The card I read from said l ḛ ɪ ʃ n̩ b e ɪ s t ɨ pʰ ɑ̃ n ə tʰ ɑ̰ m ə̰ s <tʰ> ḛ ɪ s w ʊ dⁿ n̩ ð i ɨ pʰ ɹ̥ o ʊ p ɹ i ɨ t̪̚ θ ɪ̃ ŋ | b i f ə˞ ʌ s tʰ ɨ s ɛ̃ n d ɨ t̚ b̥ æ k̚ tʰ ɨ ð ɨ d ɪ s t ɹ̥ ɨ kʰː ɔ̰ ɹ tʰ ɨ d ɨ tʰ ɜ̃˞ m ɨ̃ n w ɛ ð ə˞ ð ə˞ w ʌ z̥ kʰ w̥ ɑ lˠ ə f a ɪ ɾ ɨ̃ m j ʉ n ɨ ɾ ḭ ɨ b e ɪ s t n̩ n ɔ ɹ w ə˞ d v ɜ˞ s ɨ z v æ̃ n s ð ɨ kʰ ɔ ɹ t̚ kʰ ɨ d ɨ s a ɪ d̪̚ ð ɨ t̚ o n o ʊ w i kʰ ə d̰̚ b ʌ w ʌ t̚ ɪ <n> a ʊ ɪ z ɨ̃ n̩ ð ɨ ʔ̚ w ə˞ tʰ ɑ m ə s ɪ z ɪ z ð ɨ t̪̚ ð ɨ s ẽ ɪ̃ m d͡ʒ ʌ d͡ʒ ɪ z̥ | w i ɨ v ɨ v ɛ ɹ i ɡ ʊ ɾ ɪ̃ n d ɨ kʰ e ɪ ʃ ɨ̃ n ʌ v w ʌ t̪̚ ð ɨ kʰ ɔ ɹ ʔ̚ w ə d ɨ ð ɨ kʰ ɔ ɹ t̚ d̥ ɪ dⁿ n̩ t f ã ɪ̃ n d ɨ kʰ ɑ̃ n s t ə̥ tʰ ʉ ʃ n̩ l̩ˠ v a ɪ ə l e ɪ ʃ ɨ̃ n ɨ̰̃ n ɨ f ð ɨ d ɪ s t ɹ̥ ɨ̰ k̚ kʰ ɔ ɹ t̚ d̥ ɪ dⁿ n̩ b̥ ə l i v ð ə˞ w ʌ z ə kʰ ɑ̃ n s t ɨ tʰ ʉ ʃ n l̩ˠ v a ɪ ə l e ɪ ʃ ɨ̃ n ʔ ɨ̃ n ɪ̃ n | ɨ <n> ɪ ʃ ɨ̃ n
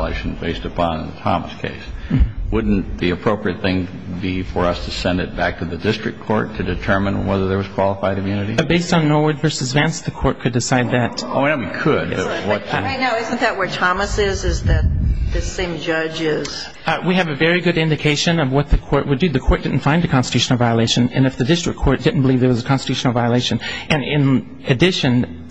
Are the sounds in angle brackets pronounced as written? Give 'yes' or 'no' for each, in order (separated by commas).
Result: no, yes, no